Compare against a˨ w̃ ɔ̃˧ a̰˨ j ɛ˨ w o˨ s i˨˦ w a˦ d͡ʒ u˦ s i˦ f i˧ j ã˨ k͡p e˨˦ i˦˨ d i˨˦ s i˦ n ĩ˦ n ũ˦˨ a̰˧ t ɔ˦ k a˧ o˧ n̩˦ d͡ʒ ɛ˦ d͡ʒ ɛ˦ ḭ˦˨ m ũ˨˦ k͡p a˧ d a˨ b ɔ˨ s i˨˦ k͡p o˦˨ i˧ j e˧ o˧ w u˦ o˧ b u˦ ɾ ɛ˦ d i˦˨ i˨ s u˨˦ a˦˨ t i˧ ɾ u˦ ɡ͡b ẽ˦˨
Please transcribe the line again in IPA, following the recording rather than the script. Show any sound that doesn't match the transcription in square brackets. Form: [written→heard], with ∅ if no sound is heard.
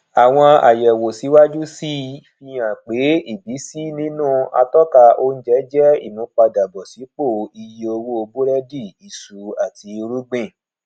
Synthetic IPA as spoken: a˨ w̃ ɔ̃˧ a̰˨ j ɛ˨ w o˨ s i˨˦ w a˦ d͡ʒ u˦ s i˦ f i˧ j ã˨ k͡p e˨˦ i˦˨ [d→b] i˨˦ s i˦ n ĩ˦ n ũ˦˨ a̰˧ t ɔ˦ k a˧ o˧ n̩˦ d͡ʒ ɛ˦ d͡ʒ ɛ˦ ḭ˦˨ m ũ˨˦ k͡p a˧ d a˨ b ɔ˨ s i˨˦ k͡p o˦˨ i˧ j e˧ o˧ w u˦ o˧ b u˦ ɾ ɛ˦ d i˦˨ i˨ s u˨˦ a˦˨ t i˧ ɾ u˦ ɡ͡b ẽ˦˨